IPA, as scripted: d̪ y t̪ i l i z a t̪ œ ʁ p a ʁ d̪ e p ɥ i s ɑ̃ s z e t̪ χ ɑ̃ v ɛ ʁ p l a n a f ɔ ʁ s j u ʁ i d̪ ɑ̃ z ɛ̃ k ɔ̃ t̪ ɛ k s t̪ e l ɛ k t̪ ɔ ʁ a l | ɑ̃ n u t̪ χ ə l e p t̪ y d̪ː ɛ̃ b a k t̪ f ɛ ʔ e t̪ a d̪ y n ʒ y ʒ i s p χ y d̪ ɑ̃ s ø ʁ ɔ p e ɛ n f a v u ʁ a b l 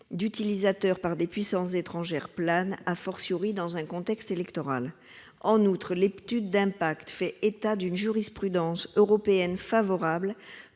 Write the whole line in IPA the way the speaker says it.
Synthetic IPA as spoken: d̪ y t̪ i l i z a t̪ œ ʁ p a ʁ d̪ e p ɥ i s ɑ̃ s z e t̪ χ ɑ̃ ʒ ɛ ʁ p l a n a f ɔ ʁ s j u ʁ i d̪ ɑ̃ z ɛ̃ k ɔ̃ t̪ ɛ k s t̪ e l ɛ k t̪ ɔ ʁ a l | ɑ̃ n u t̪ χ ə l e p t̪ y d̪ː ɛ̃ p a k t̪ f ɛ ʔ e t̪ a d̪ y n ʒ y ʁ i s p χ y d̪ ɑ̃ s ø ʁ ɔ p e ɛ n f a v ɔ ʁ a b l

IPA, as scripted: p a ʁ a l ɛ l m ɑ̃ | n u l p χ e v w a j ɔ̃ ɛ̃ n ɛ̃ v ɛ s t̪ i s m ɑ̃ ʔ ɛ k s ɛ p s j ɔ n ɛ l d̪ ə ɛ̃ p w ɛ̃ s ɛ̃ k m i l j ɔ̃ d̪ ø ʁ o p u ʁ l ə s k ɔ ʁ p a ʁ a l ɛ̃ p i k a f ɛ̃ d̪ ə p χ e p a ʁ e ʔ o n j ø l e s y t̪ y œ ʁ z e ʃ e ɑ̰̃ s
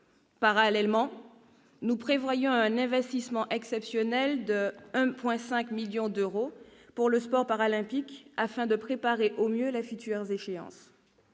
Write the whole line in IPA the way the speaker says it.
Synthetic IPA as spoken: p a ʁ a l ɛ l m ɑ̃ | n u p χ e v w a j ɔ̃ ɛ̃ n ɛ̃ v ɛ s t̪ i s m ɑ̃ ʔ ɛ k s ɛ p s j ɔ n ɛ l d̪ ə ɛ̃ p w ɛ̃ s ɛ̃ k m i l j ɔ̃ d̪ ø ʁ o p u ʁ l ə s p ɔ ʁ p a ʁ a l ɛ̃ p i k a f ɛ̃ d̪ ə p χ e p a ʁ e ʔ o m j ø l e f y t̪ y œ ʁ z e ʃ e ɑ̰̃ s

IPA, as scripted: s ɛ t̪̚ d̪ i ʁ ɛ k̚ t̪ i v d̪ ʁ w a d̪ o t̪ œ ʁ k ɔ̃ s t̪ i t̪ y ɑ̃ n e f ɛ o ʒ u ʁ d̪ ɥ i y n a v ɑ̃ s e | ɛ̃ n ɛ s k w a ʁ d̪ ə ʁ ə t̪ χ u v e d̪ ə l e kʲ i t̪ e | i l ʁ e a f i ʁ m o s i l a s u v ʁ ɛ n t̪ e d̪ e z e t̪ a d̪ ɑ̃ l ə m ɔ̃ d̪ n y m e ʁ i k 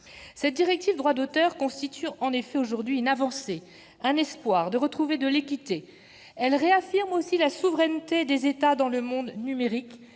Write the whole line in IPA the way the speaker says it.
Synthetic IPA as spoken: s ɛ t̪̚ d̪ i ʁ ɛ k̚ t̪ i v d̪ ʁ w a d̪ o t̪ œ ʁ k ɔ̃ s t̪ i t̪ y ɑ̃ n e f ɛ o ʒ u ʁ d̪ ɥ i y n a v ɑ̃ s e | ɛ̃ n ɛ s p w a ʁ d̪ ə ʁ ə t̪ χ u v e d̪ ə l e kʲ i t̪ e | ɛ l ʁ e a f i ʁ m o s i l a s u v ʁ ɛ n t̪ e d̪ e z e t̪ a d̪ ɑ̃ l ə m ɔ̃ d̪ n y m e ʁ i k

